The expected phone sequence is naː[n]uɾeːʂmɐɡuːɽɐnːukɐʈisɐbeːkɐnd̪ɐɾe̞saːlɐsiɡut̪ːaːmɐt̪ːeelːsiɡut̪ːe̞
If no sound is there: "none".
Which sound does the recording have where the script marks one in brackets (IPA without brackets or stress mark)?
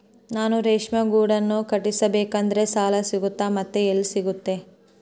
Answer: n